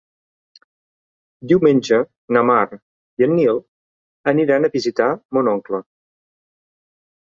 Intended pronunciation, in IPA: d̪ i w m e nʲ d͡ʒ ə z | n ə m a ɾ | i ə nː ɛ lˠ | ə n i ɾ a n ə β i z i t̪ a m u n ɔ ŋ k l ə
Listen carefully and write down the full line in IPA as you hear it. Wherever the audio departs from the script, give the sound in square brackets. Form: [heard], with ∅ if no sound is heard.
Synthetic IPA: d̪ i w m e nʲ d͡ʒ ə [∅] | n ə m a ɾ | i ə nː [i] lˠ | ə n i ɾ a n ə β i z i t̪ a m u n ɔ ŋ k l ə